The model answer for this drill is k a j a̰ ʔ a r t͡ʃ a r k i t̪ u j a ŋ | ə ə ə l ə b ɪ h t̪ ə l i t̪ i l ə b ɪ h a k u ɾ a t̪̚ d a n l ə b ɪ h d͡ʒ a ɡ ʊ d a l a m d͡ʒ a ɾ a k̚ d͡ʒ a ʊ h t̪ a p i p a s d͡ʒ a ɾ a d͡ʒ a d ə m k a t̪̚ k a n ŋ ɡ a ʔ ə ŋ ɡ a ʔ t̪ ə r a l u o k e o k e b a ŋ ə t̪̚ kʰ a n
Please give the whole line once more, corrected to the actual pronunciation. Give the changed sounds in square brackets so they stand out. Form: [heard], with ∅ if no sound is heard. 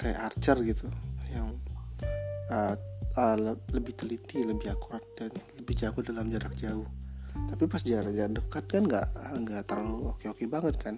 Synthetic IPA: k a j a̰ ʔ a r t͡ʃ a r [ɡ] i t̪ u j a ŋ | ə ə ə l ə b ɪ h t̪ ə l i t̪ i l ə b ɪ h a k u ɾ a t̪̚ d a n l ə b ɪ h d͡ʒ a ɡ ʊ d a l a m d͡ʒ a ɾ a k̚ d͡ʒ a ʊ h t̪ a p i p a s d͡ʒ a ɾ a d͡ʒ a d ə [∅] k a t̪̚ k a n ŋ ɡ a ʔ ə ŋ ɡ a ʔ t̪ ə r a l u o k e o k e b a ŋ ə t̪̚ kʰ a n